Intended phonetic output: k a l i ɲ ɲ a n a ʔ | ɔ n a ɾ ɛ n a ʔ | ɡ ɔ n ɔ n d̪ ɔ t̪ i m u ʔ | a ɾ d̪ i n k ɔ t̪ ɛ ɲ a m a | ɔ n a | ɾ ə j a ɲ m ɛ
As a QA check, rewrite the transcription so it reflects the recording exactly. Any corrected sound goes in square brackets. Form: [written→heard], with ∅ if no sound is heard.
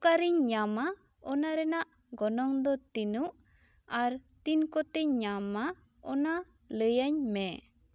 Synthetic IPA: k a [l→ɾ] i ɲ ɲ a [n→m] a [ʔ→∅] | ɔ n a ɾ ɛ n a ʔ | ɡ ɔ n ɔ [n→ŋ] d̪ ɔ t̪ i [m→n] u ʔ | a ɾ [d̪→t̪] i n k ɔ t̪ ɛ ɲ a m a | ɔ n a | [ɾ→l] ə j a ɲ m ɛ